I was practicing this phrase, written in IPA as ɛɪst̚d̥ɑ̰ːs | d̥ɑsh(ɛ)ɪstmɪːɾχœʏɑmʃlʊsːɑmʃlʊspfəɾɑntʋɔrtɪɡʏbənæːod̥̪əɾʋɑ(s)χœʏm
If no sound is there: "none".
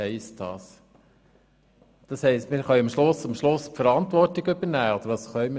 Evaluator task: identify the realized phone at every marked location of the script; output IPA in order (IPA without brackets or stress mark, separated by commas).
ɛ, s